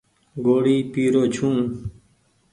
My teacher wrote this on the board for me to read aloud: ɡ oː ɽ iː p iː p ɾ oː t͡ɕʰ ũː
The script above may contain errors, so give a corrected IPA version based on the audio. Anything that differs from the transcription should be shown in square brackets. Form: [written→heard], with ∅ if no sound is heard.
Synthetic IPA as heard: ɡ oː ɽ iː p iː [p→∅] ɾ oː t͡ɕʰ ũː